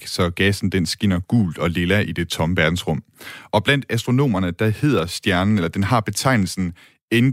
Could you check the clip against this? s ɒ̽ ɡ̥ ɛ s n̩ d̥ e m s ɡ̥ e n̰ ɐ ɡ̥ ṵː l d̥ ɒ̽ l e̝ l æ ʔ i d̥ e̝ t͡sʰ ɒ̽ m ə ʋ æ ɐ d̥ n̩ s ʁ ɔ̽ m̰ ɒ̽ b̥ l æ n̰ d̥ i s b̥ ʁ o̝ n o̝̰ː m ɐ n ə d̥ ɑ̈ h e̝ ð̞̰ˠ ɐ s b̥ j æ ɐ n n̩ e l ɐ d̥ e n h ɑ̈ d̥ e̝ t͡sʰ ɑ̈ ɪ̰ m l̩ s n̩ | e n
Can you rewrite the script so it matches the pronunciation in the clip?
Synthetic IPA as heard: s ɒ̽ ɡ̥ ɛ s n̩ d̥ e n s ɡ̥ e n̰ ɐ ɡ̥ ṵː l d̥ ɒ̽ l e̝ l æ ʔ i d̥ e̝ t͡sʰ ɒ̽ m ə ʋ æ ɐ d̥ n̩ s ʁ ɔ̽ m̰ ɒ̽ b̥ l æ n̰ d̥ æ s d̥ ʁ o̝ n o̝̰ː m ɐ n ə d̥ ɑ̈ h e̝ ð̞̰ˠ ɐ s d̥ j æ ɐ n n̩ e l ɐ d̥ e n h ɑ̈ b̥ e̝ t͡sʰ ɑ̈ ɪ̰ n l̩ s n̩ | e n